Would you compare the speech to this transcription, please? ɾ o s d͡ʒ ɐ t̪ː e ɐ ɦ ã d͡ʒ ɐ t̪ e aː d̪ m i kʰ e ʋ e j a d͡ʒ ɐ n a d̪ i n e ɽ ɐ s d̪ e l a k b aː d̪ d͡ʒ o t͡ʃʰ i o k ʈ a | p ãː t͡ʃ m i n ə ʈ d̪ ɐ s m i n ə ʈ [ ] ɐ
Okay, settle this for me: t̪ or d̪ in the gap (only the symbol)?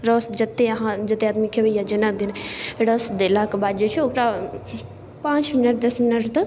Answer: t̪